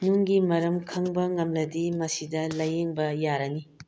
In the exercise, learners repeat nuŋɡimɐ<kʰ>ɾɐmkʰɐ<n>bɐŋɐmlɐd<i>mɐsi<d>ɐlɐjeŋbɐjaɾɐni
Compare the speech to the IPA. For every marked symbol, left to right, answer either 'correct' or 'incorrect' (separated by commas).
incorrect, incorrect, correct, correct